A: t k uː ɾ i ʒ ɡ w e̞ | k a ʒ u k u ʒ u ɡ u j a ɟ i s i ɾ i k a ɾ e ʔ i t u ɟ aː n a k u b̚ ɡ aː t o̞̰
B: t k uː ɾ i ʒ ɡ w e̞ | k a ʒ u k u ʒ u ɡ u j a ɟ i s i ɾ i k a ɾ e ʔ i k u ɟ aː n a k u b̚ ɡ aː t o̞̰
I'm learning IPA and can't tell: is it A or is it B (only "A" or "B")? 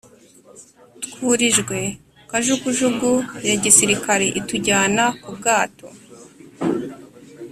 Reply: A